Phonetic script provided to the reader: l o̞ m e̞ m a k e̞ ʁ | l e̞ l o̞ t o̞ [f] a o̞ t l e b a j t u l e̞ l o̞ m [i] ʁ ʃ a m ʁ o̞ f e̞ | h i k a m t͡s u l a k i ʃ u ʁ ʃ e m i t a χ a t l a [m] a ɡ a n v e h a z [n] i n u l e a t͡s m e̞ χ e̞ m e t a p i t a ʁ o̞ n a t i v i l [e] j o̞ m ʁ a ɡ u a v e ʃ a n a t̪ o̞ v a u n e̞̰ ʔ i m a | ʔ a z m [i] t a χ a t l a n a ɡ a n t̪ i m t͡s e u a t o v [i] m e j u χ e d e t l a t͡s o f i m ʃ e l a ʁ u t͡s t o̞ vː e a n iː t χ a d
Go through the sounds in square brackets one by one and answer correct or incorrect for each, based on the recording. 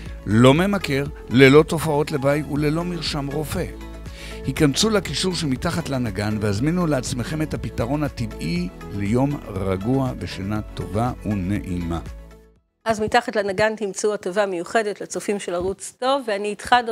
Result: correct, correct, incorrect, incorrect, correct, correct, incorrect

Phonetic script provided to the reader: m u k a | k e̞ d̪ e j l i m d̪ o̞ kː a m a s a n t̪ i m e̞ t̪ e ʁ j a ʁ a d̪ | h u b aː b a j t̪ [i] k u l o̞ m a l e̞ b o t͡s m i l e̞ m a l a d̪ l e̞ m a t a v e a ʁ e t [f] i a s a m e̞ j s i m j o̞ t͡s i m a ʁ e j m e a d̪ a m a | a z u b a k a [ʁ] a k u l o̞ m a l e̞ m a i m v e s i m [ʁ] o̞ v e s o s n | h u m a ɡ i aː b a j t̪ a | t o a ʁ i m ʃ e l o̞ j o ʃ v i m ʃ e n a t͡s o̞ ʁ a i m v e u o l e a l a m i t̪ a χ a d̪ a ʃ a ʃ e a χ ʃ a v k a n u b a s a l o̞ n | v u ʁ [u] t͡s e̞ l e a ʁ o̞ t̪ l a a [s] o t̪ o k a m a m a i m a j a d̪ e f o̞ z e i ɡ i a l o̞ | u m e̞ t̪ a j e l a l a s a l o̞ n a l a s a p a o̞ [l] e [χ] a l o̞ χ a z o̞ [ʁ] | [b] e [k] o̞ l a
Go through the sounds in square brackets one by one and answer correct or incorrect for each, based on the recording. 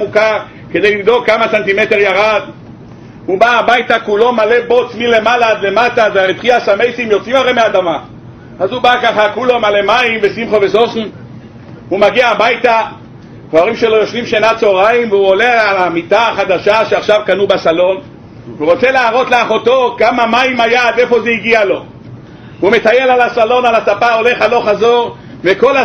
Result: incorrect, incorrect, incorrect, incorrect, incorrect, incorrect, correct, correct, correct, incorrect, correct

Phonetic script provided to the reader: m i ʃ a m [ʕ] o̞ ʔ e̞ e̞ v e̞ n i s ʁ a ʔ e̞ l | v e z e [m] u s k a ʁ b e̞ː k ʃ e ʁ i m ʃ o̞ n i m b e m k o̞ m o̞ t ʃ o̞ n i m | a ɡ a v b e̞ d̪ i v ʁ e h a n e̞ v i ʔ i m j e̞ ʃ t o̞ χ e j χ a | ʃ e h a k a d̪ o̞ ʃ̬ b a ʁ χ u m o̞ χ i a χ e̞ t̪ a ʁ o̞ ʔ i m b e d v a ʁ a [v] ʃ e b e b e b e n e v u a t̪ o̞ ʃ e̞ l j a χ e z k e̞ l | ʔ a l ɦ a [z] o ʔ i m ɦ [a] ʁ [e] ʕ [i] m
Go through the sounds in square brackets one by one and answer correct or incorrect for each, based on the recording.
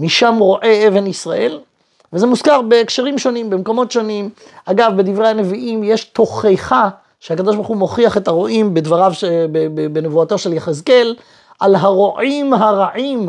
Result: incorrect, correct, correct, incorrect, correct, incorrect, correct

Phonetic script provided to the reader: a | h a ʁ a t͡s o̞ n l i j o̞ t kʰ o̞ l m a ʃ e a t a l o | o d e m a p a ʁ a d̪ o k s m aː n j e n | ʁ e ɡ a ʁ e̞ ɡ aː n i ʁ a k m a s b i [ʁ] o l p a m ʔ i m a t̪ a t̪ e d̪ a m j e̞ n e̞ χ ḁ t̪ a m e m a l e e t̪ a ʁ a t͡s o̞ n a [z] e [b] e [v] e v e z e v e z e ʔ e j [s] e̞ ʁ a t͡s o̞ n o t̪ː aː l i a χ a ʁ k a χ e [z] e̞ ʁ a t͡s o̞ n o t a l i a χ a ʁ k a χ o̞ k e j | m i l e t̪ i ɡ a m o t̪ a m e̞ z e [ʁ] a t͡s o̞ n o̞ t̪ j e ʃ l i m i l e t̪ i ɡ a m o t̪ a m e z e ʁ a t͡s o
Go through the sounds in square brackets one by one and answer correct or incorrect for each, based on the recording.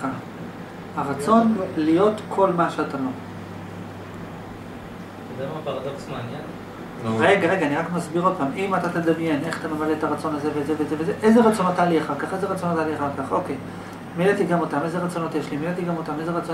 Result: correct, correct, incorrect, incorrect, incorrect, correct, correct

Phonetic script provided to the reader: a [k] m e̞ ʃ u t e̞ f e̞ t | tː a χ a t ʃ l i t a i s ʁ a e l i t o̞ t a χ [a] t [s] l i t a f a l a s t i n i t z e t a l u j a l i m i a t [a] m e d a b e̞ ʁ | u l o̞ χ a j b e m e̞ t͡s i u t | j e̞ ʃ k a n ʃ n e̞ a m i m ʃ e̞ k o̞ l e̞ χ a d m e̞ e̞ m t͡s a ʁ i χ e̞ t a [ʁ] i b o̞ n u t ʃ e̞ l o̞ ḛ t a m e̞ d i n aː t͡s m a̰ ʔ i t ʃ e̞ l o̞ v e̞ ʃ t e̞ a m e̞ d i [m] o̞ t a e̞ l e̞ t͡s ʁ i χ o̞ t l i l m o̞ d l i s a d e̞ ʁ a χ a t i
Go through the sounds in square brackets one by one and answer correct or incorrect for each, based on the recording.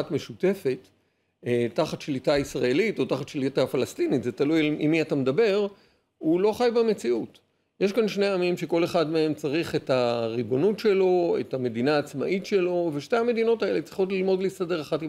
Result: incorrect, correct, incorrect, correct, correct, incorrect

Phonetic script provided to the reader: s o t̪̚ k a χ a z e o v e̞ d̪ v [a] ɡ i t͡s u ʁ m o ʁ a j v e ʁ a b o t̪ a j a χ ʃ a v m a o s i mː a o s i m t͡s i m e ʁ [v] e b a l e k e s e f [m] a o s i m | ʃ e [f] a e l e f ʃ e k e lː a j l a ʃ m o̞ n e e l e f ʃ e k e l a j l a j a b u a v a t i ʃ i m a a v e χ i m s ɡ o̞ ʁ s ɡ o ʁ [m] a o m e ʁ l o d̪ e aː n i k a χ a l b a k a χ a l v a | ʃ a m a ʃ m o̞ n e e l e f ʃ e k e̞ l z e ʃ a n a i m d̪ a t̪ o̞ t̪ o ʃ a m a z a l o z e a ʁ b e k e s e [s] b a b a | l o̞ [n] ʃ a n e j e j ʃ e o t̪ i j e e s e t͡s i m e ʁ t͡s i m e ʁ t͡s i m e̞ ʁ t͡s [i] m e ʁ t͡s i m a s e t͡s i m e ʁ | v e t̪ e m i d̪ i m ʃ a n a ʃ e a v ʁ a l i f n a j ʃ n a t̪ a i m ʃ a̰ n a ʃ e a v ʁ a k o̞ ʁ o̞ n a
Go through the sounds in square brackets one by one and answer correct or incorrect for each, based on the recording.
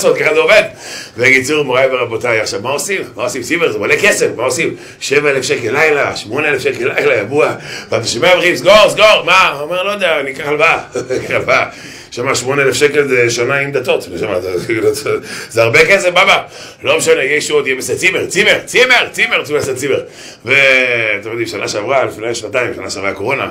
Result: incorrect, incorrect, correct, incorrect, correct, incorrect, incorrect, correct

